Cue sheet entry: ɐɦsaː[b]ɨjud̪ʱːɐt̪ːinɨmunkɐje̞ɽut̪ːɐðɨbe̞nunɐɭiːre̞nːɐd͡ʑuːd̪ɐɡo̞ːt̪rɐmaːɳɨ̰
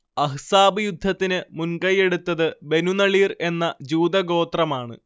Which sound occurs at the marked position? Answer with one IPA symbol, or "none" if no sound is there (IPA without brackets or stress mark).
b